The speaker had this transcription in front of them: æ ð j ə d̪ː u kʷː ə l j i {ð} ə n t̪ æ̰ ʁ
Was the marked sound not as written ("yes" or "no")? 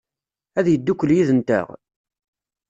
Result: no